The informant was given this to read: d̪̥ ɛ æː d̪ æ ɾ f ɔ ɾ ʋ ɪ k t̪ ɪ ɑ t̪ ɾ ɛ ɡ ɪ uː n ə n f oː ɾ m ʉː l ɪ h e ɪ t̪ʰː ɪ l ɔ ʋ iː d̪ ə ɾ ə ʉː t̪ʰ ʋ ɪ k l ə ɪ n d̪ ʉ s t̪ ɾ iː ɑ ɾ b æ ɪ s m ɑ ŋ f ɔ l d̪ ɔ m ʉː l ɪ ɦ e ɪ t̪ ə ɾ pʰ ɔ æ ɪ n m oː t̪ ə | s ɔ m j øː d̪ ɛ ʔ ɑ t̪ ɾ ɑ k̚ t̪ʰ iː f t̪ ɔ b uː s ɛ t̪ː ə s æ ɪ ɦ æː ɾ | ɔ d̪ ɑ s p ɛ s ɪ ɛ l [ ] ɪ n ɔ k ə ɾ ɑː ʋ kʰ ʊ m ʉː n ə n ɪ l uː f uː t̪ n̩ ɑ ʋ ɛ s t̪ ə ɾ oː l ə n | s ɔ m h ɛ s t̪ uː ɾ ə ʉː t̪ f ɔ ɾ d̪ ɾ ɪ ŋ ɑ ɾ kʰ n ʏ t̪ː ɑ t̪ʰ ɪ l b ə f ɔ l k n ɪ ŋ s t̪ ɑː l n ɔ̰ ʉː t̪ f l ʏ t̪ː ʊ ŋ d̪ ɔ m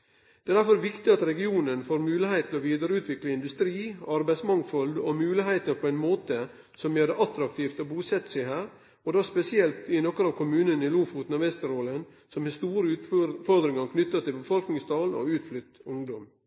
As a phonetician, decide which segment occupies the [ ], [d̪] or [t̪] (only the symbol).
t̪